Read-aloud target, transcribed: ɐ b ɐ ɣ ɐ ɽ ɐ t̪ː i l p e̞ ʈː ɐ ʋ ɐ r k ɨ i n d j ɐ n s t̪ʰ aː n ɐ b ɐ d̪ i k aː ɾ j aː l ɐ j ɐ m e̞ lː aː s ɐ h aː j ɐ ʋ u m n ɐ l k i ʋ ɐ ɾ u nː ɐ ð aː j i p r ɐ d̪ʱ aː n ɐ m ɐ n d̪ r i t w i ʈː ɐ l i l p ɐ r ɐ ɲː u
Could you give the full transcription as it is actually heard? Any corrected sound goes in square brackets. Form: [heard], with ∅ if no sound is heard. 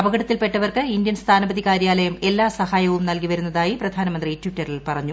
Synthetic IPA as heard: ɐ b ɐ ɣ ɐ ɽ ɐ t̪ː i l p e̞ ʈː ɐ ʋ ɐ r k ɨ i n d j ɐ n s t̪ʰ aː n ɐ b ɐ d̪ i k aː ɾ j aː l ɐ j ɐ m e̞ lː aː s ɐ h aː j ɐ ʋ u m n ɐ l k i ʋ ɐ ɾ u nː ɐ ð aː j i p r ɐ d̪ʱ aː n ɐ m ɐ n d̪ r i t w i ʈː ɐ [r] i l p ɐ r ɐ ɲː u